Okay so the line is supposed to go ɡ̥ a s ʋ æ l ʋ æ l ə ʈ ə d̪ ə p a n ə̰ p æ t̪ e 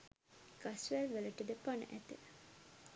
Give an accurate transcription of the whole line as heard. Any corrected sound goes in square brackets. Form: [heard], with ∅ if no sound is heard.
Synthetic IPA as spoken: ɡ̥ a s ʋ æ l ʋ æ l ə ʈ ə d̪ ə p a n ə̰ [ʔ] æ t̪ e